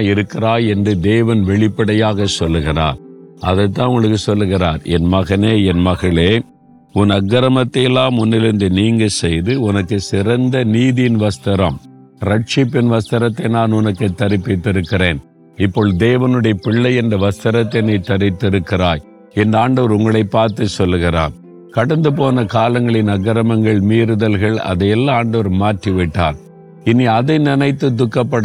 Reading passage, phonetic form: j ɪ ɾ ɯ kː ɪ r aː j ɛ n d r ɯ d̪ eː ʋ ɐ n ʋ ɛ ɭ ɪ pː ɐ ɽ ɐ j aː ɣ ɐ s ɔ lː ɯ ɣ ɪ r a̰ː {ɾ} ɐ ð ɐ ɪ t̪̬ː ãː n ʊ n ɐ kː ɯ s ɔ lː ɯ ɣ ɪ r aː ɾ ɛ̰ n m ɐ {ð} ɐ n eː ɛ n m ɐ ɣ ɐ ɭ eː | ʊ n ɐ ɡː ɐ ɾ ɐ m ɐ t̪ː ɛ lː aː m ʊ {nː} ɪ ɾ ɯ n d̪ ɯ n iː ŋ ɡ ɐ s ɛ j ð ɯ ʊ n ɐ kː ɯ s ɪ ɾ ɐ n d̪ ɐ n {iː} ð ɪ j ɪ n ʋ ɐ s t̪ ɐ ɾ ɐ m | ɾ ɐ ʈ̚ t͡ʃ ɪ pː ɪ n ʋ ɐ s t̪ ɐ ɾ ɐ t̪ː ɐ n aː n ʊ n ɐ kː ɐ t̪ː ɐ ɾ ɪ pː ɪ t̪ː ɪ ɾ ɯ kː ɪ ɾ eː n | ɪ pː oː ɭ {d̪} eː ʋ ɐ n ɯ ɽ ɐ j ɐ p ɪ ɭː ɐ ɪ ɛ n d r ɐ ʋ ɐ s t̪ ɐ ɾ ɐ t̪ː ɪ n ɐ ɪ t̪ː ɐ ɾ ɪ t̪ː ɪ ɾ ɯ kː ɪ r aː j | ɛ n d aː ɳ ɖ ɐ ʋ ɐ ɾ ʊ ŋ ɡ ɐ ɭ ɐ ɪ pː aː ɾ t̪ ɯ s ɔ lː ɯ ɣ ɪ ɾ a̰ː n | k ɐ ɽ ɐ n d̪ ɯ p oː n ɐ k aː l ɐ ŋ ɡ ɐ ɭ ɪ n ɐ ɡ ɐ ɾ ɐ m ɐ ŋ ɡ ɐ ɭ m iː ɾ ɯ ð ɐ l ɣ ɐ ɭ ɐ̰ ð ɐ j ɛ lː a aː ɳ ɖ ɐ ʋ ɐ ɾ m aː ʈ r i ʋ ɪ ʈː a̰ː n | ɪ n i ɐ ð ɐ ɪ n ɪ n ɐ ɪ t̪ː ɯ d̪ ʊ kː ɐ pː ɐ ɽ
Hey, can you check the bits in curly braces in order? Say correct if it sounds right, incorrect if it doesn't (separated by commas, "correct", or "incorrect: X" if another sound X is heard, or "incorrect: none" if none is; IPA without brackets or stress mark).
correct, incorrect: ɣ, correct, correct, correct